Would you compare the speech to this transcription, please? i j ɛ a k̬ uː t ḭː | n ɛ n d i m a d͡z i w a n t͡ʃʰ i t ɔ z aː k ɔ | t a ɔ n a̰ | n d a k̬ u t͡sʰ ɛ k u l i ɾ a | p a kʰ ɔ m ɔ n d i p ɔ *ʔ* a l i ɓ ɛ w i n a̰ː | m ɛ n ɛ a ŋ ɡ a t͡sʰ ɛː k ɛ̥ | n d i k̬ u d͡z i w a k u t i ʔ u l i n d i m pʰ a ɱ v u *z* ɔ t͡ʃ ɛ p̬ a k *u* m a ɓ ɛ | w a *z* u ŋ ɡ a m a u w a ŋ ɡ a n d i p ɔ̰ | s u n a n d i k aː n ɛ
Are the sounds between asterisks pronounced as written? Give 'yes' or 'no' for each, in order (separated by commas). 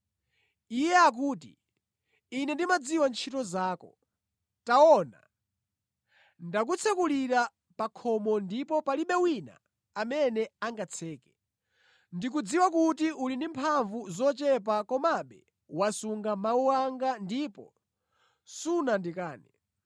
no, yes, no, no